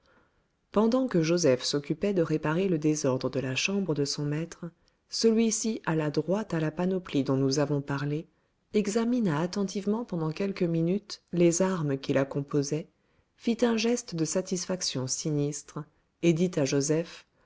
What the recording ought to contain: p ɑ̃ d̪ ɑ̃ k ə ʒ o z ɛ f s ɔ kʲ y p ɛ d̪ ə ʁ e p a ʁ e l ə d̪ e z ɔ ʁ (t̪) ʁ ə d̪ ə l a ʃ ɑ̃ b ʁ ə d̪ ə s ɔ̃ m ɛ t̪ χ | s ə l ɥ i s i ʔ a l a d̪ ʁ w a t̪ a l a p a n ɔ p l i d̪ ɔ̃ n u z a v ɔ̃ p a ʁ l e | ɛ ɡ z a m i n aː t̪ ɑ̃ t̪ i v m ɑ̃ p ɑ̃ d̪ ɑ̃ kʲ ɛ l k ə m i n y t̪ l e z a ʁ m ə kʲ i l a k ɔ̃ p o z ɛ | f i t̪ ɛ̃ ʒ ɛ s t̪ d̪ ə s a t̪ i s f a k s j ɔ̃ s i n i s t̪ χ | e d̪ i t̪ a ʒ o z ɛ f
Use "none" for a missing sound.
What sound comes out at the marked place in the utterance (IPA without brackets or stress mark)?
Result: d̪